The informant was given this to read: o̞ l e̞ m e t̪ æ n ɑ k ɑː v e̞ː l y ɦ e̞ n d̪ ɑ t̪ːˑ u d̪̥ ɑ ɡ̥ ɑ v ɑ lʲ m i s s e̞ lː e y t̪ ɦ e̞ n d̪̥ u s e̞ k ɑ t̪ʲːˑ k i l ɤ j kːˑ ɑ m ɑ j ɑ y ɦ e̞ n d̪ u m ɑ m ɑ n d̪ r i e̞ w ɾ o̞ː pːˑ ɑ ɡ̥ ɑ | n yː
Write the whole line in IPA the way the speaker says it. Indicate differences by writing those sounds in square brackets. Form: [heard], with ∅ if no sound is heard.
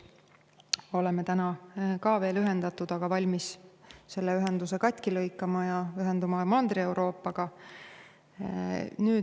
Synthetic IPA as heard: o̞ l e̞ m e t̪ æ n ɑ k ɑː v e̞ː l y ɦ e̞ n d̪ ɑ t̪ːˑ u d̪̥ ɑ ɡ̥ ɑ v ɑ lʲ m i s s e̞ lː e y [∅] ɦ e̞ n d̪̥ u s e̞ k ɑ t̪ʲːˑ k i l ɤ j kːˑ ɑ m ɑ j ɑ y ɦ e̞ n d̪ u m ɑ m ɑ n d̪ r i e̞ w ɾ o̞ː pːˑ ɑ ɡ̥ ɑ | n yː

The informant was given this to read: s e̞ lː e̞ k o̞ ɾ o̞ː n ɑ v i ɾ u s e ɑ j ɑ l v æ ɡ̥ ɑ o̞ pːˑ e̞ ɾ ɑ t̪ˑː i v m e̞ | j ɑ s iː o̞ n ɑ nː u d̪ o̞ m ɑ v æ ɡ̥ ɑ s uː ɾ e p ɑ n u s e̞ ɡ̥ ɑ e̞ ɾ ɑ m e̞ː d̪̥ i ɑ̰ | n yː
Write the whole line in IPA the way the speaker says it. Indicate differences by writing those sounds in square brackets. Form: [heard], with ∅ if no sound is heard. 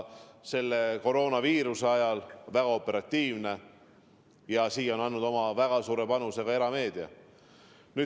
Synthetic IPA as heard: s e̞ lː e̞ k o̞ ɾ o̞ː n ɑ v [iː] ɾ u s e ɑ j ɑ l v æ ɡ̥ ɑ o̞ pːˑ e̞ ɾ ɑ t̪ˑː [iː] v [n] e̞ | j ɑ s iː o̞ n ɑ nː u d̪ o̞ m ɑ v æ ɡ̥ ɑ s uː ɾ e p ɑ n u s e̞ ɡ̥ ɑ e̞ ɾ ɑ m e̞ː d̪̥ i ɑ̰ | n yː

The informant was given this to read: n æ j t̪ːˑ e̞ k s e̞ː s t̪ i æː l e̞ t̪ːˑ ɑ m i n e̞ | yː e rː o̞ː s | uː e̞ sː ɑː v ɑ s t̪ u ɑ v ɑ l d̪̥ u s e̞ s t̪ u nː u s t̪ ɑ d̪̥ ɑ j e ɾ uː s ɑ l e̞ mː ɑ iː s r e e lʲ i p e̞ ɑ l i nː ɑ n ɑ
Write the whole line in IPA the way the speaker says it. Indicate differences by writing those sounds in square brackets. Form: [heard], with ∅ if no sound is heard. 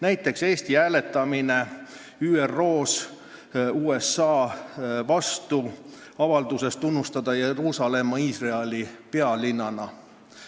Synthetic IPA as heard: n æ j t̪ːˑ e̞ k s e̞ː s t̪ i æː l e̞ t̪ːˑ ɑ m i n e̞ | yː e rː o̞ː s | uː e̞ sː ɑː v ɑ s t̪ u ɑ v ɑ l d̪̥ u s e̞ s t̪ u nː u s t̪ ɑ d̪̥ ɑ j e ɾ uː s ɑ l e̞ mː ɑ iː s r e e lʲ i p e̞ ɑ l i nː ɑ n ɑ

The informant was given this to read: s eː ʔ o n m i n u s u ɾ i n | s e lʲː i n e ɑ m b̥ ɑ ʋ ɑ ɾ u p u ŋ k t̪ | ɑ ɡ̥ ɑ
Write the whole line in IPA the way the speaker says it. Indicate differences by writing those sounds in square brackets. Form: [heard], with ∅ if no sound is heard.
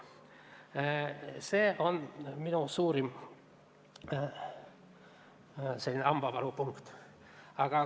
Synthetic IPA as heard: s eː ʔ o n m i n u s [uː] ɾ i [m] | s e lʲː i n e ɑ m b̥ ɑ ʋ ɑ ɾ u p u ŋ k t̪ | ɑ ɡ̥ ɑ

